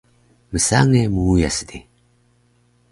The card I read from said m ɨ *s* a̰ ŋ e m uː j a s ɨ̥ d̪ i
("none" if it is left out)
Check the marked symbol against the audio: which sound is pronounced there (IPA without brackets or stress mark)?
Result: s